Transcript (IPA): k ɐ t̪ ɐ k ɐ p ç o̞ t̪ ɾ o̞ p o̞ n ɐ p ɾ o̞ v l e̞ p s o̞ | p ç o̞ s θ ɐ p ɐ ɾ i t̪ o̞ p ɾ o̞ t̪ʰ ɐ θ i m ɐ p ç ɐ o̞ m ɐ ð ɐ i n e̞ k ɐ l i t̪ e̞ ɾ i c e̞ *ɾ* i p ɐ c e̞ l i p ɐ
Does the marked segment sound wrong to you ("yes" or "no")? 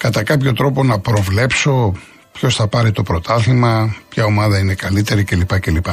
yes